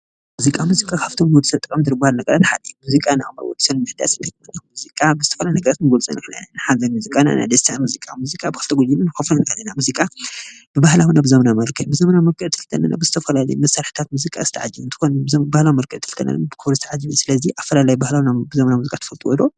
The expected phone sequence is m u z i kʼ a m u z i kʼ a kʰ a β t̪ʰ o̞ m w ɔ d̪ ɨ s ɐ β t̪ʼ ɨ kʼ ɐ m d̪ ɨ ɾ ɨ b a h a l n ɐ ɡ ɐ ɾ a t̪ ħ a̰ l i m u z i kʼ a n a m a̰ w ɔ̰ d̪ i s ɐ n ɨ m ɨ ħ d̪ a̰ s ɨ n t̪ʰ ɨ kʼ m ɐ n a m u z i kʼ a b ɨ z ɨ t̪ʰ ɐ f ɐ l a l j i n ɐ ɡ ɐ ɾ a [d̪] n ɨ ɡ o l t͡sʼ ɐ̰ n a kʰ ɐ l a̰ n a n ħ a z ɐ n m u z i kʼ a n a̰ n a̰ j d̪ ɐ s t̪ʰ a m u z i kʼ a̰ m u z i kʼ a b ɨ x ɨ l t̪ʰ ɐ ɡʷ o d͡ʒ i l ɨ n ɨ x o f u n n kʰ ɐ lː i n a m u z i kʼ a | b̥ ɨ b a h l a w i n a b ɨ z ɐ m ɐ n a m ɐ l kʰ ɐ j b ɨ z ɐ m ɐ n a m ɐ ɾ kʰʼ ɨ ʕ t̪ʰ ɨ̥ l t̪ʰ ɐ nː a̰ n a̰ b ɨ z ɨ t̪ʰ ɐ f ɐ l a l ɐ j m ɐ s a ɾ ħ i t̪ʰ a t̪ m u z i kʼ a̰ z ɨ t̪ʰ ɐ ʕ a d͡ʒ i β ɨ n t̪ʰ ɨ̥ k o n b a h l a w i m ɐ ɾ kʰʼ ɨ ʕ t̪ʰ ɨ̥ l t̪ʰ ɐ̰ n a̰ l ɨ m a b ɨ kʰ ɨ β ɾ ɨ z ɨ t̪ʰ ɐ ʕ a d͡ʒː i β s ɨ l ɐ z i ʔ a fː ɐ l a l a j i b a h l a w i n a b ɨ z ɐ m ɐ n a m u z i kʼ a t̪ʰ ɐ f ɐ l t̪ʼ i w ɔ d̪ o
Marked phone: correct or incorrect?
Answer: incorrect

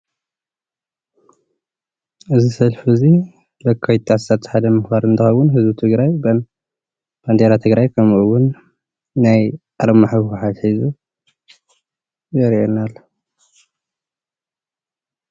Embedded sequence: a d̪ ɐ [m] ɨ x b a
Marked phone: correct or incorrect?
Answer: correct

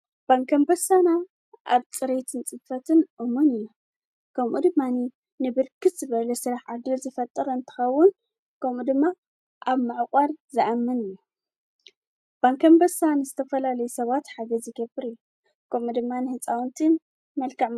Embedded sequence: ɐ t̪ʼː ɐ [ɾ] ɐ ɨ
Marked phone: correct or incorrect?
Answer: correct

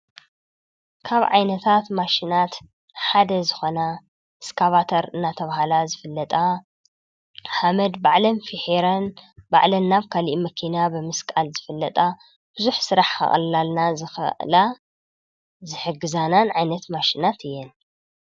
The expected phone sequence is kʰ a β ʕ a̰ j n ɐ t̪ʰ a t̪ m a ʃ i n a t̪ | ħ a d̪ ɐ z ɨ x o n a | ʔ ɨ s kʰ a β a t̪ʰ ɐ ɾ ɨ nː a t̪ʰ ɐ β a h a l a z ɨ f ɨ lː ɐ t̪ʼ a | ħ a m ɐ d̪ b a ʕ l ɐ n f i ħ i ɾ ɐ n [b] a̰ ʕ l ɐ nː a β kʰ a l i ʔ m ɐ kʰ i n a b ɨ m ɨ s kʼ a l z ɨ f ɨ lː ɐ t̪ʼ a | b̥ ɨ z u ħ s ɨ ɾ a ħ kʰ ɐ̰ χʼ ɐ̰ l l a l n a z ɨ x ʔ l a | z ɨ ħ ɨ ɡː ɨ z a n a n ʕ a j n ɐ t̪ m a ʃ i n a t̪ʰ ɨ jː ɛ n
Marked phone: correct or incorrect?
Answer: correct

